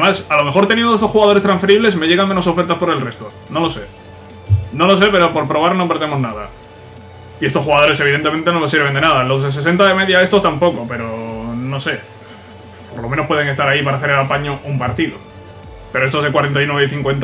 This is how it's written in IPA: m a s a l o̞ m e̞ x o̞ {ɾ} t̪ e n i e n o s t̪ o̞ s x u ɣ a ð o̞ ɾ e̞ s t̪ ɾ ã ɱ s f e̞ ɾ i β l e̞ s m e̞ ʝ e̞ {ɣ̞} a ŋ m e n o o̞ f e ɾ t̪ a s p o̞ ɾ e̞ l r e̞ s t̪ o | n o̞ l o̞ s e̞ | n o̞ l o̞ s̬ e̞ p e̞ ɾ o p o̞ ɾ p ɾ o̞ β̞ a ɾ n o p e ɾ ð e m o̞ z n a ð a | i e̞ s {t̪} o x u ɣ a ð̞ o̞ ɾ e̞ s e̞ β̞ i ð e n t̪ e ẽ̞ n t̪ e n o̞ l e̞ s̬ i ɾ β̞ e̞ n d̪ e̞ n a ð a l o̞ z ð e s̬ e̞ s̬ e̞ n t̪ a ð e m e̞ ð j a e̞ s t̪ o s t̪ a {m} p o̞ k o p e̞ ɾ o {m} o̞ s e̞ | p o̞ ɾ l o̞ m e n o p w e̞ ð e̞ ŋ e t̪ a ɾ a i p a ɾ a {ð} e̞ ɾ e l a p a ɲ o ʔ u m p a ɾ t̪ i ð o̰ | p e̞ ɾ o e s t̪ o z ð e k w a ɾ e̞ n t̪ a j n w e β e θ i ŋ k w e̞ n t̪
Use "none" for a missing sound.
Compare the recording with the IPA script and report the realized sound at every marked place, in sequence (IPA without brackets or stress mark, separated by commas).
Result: ɾ, ɣ̞, t̪, m, n, θ